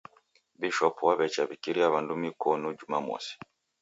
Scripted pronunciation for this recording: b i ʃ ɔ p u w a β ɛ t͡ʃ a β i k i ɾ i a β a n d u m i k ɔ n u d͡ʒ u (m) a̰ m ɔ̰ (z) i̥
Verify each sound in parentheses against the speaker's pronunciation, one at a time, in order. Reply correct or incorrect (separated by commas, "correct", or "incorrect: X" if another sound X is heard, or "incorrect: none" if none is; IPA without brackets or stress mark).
correct, incorrect: s